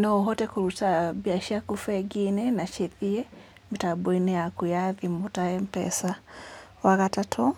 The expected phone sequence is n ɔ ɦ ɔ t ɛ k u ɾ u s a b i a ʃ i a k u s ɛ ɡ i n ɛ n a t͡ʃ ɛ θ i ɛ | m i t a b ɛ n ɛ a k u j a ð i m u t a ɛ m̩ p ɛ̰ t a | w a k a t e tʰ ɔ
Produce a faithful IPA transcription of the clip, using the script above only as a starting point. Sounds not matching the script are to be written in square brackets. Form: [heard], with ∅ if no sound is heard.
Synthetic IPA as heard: n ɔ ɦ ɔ t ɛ k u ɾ u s a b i a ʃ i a k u [f] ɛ ɡ i n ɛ n a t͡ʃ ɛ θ i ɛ | m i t a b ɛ n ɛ a k u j a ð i m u t a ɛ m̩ p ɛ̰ [s] a | w a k a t [a] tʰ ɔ